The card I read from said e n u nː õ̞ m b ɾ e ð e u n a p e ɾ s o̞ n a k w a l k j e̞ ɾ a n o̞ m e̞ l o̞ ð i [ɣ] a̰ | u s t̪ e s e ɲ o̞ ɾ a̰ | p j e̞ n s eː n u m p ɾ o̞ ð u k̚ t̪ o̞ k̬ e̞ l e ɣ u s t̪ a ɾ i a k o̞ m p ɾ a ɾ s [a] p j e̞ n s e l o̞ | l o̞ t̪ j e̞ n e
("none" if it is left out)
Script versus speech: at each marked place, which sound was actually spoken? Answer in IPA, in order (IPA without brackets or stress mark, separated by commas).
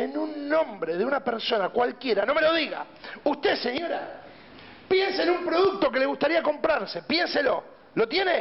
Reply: ɣ, e